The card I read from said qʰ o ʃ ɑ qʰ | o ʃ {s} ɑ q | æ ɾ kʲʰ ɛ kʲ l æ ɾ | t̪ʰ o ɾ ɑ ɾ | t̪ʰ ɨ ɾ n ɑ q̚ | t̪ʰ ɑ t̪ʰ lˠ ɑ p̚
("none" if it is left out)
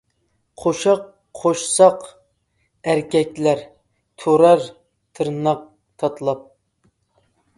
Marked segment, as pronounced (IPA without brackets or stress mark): s